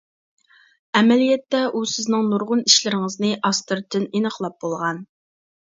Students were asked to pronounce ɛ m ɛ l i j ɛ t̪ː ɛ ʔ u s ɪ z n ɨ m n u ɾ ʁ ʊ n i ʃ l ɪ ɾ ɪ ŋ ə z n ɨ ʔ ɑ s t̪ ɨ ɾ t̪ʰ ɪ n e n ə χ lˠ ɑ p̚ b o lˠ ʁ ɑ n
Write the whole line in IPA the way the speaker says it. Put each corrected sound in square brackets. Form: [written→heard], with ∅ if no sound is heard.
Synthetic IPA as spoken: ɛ m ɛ l i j ɛ t̪ː ɛ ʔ u s ɪ z n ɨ [m→ŋ] n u ɾ ʁ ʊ n i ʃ l ɪ ɾ ɪ ŋ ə z n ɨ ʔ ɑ s t̪ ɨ ɾ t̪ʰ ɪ n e n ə χ lˠ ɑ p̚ b o lˠ ʁ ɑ n